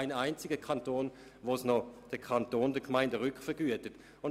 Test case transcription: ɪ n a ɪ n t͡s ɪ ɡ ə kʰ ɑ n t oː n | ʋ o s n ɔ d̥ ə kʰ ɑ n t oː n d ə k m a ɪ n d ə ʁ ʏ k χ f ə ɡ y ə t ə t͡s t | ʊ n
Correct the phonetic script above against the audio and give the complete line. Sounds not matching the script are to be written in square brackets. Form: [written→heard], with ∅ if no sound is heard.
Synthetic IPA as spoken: ɪ n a ɪ n t͡s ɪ ɡ ə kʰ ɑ n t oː n | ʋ o s n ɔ d̥ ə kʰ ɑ n t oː n d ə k m a ɪ n d ə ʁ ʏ k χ f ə ɡ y ə t ə [t͡s→∅] t | ʊ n